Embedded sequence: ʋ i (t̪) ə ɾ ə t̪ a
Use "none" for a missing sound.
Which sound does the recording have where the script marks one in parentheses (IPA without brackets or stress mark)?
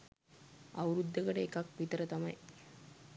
t̪